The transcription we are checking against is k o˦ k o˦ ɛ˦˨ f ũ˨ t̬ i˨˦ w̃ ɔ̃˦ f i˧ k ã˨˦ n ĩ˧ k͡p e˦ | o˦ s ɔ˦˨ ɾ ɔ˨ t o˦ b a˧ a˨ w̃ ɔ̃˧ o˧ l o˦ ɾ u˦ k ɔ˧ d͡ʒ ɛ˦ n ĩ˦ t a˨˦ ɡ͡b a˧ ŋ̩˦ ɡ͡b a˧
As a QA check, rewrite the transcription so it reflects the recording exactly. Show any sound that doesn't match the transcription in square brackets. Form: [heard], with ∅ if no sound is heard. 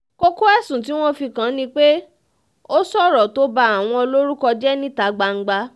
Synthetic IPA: k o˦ k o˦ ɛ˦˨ [s] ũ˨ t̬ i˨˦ w̃ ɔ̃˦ f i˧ k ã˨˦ n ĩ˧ k͡p e˦ | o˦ s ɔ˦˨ ɾ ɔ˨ t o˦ b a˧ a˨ w̃ ɔ̃˧ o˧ l o˦ ɾ u˦ k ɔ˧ d͡ʒ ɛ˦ n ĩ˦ t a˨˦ ɡ͡b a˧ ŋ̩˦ ɡ͡b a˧